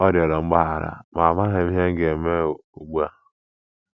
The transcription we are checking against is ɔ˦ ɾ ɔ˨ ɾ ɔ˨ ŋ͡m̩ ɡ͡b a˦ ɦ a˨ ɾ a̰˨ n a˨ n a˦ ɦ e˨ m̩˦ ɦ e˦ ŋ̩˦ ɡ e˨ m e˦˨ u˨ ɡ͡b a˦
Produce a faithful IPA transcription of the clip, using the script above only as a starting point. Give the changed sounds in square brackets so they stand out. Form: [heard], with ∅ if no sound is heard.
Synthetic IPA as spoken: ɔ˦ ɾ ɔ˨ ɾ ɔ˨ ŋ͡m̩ ɡ͡b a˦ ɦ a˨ ɾ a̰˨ [m] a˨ [m] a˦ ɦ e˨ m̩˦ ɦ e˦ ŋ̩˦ ɡ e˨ m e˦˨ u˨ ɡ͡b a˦